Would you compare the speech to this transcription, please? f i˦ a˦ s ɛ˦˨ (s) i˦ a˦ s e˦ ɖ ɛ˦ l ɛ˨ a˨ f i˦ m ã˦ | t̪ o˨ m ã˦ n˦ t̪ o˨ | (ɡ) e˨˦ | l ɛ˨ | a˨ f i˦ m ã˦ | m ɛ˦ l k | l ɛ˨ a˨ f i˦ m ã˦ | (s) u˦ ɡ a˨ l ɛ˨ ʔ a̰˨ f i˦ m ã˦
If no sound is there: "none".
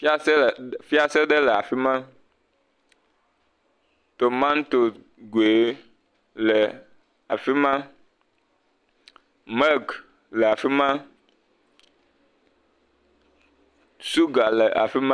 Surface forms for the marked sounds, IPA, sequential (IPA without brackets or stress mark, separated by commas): f, ɡ, s